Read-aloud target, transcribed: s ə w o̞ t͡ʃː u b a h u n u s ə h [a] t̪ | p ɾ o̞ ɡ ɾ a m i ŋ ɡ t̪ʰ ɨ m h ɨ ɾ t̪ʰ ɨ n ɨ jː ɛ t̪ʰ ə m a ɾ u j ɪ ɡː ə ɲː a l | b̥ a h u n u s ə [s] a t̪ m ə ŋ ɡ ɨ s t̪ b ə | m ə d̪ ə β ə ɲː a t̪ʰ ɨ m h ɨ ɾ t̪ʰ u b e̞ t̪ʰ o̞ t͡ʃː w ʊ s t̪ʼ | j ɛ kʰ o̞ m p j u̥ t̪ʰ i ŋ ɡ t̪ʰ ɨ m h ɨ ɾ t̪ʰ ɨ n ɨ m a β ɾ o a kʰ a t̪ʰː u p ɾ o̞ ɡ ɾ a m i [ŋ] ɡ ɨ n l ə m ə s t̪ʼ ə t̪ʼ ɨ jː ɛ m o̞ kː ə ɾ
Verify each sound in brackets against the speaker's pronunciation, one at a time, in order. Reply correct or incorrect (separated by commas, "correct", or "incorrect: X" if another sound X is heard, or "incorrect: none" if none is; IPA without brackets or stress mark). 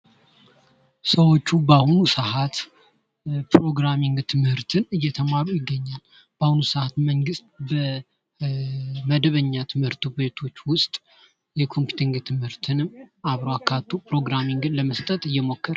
correct, incorrect: h, correct